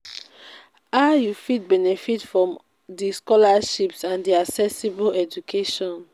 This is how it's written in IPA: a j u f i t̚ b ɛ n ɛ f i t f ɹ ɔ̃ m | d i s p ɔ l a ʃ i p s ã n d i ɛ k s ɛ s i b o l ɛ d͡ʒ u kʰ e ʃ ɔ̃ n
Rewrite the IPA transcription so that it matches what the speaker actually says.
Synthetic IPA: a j u f i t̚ b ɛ n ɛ f i t f ɹ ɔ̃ m | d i s k ɔ l a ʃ i p s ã n d i a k s ɛ s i b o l ɛ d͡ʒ u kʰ e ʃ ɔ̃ n